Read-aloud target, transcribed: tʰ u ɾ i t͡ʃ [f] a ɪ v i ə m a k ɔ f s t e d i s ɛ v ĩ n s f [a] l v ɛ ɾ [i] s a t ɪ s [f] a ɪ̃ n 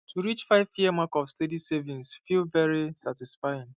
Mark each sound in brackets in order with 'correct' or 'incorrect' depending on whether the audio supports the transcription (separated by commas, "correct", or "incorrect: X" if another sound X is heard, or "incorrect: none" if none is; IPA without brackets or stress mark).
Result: correct, incorrect: i, correct, correct